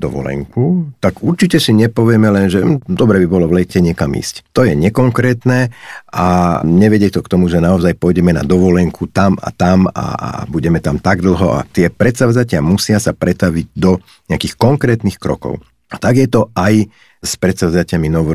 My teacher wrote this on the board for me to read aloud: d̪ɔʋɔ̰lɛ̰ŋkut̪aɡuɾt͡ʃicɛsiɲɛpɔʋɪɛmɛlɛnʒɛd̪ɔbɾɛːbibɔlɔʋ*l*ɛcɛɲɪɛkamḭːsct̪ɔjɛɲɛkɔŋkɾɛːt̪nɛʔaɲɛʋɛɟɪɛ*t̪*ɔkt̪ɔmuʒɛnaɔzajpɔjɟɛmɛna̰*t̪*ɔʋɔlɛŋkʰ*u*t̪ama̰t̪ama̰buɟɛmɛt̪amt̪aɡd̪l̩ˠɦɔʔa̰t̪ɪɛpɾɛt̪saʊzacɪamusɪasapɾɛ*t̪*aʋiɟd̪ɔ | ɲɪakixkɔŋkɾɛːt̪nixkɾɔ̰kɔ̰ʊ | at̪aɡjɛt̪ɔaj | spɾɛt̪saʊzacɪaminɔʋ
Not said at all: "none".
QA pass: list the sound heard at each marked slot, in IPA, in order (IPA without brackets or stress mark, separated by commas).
l, t̪, d̪, u, t̪